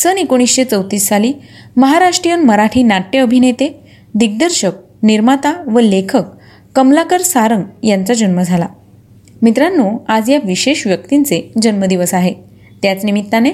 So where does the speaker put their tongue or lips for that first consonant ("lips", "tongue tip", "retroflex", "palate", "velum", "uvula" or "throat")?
tongue tip